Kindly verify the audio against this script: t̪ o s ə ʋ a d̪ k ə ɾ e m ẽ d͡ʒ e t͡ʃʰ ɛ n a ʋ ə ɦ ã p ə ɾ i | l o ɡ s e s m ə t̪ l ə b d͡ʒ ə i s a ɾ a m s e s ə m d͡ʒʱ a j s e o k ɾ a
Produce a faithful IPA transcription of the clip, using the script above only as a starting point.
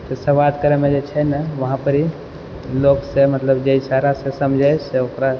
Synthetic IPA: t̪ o s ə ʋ a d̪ k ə ɾ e m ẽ d͡ʒ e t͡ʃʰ ɛ n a ʋ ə ɦ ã p ə ɾ i | l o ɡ s e m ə t̪ l ə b d͡ʒ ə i s a ɾ a s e s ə m d͡ʒʱ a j s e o k ɾ a